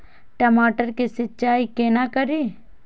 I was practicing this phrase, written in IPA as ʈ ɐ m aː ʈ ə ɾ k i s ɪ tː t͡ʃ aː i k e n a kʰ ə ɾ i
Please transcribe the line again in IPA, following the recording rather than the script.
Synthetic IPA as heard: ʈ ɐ m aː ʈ ə ɾ k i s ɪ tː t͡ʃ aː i k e n a k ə ɾ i